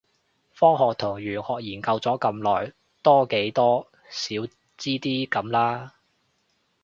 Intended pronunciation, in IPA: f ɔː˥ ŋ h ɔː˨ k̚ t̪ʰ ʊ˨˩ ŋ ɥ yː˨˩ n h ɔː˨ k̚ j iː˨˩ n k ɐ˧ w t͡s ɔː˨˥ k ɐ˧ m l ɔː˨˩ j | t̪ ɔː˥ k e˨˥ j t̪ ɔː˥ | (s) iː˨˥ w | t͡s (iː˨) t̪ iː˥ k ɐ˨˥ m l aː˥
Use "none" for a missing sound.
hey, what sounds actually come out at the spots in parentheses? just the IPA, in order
s, iː˥

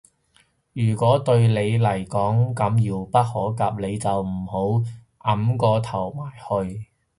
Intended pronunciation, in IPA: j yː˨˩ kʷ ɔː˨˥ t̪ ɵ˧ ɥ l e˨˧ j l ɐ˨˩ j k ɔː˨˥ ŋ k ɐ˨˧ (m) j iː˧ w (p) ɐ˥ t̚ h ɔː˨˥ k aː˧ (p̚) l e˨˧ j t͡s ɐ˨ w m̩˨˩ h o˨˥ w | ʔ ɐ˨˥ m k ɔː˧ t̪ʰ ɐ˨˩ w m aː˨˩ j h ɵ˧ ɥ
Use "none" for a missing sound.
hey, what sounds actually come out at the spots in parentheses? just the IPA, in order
m, p, p̚

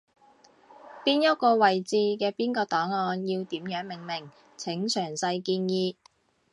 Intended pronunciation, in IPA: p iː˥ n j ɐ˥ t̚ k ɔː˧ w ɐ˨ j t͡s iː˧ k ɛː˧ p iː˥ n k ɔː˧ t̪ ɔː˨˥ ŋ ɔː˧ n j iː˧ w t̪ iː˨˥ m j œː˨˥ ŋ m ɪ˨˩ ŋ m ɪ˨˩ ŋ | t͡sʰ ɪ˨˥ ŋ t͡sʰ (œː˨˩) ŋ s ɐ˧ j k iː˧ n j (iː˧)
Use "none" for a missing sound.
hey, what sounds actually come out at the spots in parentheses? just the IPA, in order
œː˨˩, iː˧

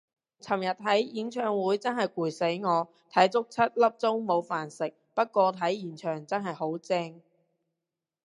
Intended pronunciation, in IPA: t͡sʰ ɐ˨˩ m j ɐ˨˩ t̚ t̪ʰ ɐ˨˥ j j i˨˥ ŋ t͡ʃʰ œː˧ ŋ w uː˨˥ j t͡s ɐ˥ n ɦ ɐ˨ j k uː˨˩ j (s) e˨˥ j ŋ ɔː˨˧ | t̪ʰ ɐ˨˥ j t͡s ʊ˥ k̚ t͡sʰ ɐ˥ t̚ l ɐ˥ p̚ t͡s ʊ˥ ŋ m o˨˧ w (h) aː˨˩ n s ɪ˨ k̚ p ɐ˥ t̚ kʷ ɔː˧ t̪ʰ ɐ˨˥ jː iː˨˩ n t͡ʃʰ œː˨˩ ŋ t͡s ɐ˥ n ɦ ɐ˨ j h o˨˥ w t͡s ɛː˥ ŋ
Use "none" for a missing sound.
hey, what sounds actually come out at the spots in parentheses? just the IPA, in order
s, f

